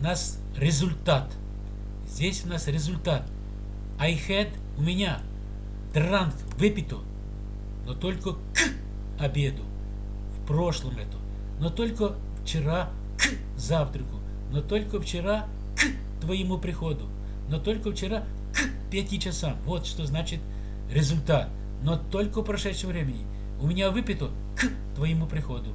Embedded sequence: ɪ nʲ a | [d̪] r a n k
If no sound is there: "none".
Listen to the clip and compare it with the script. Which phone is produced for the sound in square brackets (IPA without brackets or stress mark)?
d̪